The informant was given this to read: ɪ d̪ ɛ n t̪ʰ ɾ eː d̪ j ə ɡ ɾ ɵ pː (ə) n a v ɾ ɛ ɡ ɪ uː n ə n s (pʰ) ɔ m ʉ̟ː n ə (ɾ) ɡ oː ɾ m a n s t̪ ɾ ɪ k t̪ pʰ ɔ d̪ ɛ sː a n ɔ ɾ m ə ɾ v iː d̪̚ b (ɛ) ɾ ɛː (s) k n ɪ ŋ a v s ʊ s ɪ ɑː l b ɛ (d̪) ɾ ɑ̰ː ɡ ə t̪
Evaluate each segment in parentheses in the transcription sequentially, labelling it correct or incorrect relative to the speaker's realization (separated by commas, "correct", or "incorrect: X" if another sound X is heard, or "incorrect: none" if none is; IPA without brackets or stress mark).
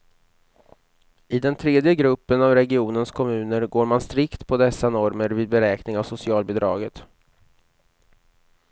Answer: correct, incorrect: kʰ, correct, correct, incorrect: none, correct